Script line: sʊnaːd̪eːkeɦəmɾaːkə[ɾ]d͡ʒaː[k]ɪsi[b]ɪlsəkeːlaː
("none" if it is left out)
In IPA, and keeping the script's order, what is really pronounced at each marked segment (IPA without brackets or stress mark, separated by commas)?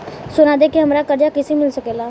ɾ, k, m